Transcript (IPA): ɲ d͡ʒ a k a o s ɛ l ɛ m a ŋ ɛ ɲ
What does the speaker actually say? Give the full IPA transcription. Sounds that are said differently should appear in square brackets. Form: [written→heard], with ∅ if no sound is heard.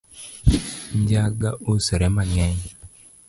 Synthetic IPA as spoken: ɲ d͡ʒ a [k→ɡ] a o s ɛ [l→ɾ] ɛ m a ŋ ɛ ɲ